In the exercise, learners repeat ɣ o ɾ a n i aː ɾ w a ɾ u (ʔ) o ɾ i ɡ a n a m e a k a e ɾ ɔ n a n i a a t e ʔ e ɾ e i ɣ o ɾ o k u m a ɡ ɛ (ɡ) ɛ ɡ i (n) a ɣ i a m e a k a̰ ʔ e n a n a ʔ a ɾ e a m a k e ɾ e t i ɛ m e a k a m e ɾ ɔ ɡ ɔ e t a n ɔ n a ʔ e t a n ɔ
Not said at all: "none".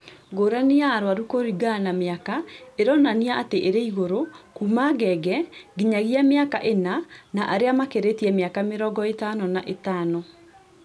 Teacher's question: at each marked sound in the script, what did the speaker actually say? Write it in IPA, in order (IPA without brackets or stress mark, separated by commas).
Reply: k, ɡ, ɲ